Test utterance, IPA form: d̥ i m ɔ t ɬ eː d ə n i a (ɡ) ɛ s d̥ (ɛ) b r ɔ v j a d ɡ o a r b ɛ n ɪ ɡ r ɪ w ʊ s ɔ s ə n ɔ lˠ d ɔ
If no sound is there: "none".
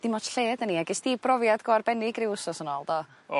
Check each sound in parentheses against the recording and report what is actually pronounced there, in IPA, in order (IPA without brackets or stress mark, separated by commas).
ɡ, i